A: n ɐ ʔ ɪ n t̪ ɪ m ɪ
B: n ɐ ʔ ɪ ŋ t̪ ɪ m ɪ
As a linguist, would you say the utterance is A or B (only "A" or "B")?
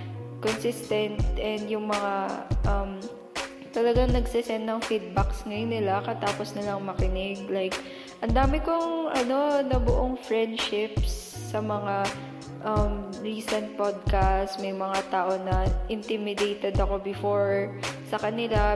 A